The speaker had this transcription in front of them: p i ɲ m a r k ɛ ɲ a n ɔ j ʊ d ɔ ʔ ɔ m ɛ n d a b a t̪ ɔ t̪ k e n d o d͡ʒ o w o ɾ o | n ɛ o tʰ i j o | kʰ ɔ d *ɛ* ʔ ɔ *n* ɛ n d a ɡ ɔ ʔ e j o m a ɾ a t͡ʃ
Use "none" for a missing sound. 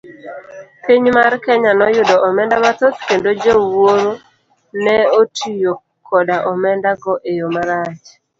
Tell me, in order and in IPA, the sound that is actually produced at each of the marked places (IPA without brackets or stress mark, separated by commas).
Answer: a, m